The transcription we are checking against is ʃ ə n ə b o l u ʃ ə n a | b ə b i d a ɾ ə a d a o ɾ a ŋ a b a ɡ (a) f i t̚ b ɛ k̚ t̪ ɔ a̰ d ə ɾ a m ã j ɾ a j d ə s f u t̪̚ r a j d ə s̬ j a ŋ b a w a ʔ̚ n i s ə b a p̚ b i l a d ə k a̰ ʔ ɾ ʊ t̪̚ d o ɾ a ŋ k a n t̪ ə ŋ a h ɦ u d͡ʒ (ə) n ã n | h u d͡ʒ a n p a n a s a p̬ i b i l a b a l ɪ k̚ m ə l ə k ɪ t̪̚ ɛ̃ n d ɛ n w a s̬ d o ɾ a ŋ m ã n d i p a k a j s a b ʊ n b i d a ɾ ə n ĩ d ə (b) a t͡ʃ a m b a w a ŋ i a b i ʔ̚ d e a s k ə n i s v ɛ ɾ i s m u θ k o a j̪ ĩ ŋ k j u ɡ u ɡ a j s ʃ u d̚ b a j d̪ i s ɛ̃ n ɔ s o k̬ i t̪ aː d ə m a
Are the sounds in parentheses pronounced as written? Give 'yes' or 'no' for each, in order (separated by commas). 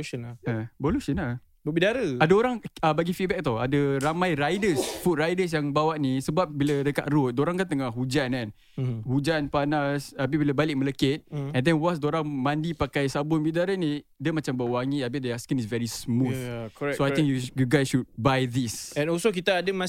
no, no, no